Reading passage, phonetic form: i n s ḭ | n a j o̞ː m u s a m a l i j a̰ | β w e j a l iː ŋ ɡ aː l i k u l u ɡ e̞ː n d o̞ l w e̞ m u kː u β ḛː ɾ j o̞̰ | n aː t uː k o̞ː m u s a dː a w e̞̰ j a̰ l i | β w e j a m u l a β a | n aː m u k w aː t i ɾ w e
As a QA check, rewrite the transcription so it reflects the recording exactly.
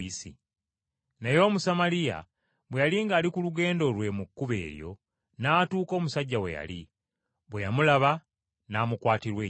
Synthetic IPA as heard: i s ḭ | n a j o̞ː m u s a m a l i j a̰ | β w e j a l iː ŋ ɡ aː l i k u l u ɡ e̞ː n d o̞ l w e̞ m u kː u β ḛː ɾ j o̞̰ | n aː t uː k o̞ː m u s a ɟː a w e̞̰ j a̰ l i | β w e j a m u l a β a | n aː m u k w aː t i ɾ w e